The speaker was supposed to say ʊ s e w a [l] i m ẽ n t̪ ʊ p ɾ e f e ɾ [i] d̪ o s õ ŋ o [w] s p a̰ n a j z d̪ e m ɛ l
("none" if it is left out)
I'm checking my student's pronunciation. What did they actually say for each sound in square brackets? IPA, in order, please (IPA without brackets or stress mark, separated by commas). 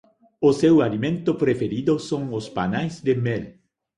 l, i, none